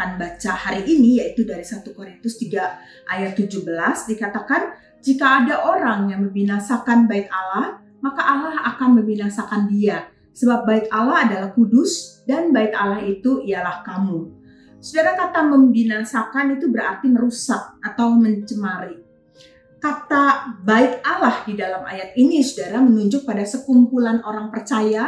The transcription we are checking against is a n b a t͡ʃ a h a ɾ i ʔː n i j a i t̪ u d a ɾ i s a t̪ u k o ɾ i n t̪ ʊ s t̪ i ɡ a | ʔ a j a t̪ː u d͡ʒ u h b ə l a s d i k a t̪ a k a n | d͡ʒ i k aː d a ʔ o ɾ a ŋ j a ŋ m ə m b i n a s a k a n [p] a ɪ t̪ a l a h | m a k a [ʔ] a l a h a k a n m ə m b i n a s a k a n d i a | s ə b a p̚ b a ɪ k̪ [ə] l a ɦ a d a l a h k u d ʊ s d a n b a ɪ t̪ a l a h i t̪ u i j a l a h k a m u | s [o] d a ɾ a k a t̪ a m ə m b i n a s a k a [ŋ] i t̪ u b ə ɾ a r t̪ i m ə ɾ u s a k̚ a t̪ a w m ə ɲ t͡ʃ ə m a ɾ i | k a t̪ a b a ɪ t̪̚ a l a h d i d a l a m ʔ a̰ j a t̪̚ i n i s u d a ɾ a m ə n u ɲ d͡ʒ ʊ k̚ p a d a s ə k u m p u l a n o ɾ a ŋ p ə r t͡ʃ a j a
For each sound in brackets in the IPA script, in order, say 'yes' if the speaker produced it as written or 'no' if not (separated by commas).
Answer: no, yes, no, no, no